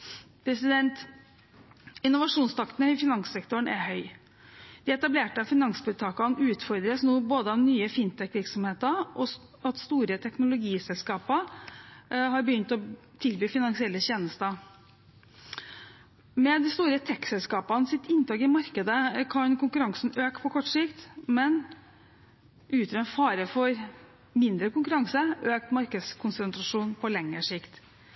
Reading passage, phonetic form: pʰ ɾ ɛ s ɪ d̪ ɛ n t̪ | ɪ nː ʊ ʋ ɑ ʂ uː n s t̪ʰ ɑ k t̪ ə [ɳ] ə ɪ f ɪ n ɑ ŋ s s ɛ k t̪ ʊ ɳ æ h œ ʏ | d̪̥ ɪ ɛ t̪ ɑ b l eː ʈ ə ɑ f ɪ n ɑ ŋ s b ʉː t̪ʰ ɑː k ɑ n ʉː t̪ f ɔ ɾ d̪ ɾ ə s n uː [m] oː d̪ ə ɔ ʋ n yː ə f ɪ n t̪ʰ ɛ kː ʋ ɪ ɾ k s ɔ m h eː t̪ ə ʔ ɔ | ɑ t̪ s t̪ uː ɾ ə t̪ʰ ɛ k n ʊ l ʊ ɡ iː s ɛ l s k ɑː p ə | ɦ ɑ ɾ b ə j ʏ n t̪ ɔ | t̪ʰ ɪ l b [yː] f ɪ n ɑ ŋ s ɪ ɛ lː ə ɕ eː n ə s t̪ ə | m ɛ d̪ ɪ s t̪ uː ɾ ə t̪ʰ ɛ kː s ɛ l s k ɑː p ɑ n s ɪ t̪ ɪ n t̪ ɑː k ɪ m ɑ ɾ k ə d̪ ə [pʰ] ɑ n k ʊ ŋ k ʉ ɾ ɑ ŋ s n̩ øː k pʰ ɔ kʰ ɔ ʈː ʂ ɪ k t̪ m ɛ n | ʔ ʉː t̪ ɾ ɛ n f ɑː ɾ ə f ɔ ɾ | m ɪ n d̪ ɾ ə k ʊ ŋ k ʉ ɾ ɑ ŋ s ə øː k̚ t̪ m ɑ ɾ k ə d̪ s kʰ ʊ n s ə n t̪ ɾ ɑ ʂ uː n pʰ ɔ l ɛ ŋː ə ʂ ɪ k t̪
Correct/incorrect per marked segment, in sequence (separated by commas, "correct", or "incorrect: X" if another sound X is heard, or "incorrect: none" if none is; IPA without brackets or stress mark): incorrect: n, incorrect: b, correct, incorrect: kʰ